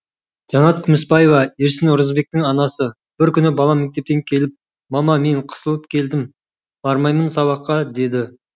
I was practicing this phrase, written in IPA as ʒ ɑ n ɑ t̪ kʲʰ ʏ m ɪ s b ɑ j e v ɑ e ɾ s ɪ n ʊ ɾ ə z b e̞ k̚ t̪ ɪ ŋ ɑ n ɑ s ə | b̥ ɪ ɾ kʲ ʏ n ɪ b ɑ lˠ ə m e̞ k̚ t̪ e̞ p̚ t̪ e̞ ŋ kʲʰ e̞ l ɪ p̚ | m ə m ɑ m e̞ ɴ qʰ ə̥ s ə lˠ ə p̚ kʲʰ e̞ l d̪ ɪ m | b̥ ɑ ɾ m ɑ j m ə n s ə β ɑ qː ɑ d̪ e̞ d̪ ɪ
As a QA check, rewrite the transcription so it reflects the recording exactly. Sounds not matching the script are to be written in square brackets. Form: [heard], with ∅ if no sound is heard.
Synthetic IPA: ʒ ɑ n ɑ t̪ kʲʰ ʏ m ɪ s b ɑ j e v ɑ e ɾ s ɪ n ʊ ɾ ə z b e̞ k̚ t̪ ɪ ŋ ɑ n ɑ s ə | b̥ ɪ ɾ kʲ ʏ n ɪ b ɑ lˠ [ɑ] m e̞ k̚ t̪ e̞ p̚ t̪ e̞ ŋ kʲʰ e̞ l ɪ p̚ | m [ɑ] m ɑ m e̞ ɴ qʰ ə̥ s ə lˠ ə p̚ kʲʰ e̞ l d̪ ɪ m | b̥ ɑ ɾ m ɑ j m ə n s [ɑ] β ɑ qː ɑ d̪ e̞ d̪ ɪ